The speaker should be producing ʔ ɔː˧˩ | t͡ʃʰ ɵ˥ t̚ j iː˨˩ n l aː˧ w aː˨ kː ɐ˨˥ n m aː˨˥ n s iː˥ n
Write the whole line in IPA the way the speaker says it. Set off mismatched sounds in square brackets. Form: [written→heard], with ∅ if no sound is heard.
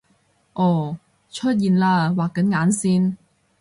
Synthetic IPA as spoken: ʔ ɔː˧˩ | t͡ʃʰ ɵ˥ t̚ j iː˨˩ n l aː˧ w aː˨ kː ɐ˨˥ n [m→ŋ] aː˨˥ n s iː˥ n